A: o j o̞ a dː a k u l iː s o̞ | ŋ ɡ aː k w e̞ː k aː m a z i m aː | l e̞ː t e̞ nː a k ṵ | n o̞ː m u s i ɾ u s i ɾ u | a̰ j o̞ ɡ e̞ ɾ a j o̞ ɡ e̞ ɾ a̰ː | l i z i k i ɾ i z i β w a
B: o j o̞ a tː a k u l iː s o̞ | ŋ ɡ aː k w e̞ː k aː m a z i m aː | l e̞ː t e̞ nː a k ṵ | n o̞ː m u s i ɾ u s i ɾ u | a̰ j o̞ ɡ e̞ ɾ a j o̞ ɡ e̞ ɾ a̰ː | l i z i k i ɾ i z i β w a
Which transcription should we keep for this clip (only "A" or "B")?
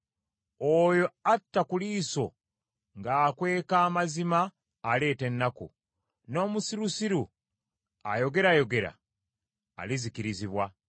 B